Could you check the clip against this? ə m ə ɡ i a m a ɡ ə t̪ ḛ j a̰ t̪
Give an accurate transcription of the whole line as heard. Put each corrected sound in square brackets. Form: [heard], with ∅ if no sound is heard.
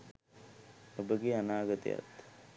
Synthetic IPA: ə [b] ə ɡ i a [n] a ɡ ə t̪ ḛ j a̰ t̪